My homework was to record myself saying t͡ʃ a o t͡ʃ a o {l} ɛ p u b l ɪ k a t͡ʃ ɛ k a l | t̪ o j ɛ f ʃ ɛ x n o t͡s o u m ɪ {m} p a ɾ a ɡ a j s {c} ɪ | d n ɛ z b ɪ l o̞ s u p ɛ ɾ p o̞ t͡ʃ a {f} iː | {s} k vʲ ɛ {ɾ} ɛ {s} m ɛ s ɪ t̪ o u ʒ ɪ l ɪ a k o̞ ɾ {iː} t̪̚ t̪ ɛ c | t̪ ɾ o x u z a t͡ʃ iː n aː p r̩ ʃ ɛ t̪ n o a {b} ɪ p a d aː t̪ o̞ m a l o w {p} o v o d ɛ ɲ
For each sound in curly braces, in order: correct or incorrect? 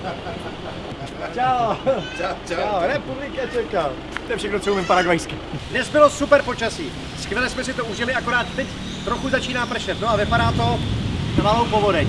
incorrect: ɾ, correct, incorrect: k, incorrect: s, correct, incorrect: l, correct, incorrect: aː, incorrect: v, correct

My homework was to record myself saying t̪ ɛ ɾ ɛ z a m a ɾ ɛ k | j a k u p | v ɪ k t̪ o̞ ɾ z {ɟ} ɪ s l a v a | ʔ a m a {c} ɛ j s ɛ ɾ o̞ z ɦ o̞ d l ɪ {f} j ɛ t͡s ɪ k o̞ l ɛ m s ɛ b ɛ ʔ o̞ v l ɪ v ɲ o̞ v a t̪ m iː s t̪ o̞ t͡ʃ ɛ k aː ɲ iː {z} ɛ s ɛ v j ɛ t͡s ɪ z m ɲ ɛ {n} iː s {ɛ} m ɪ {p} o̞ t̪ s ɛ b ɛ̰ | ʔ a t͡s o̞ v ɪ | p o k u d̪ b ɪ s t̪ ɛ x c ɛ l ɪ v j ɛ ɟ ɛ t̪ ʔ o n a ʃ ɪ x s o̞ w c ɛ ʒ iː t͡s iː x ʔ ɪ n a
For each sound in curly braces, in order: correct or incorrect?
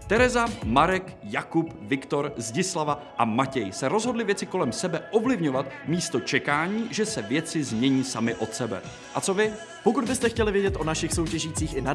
correct, correct, incorrect: v, incorrect: ʒ, incorrect: ɲ, incorrect: a, incorrect: ʔ

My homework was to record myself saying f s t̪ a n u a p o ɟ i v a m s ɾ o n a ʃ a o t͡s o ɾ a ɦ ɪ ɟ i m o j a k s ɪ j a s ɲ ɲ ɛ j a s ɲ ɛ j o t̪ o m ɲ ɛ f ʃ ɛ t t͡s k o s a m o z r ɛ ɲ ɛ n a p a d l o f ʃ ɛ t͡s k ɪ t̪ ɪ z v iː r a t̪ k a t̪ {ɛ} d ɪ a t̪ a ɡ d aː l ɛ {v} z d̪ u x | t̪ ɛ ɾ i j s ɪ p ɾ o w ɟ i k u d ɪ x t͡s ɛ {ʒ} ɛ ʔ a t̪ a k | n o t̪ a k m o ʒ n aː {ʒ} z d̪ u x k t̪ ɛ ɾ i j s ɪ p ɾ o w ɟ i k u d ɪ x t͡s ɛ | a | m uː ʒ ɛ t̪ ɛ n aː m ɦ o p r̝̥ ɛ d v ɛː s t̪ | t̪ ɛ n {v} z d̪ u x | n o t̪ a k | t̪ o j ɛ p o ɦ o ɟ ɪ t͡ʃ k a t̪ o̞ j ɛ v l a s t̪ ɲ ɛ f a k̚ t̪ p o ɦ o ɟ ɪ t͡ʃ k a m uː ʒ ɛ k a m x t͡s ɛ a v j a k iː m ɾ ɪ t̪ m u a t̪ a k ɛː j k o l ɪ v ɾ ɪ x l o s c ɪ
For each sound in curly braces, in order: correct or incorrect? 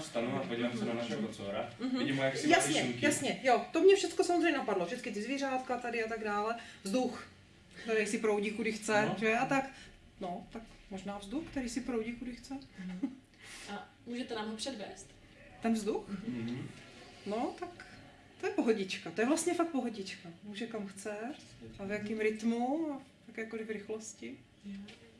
incorrect: a, correct, correct, incorrect: v, correct

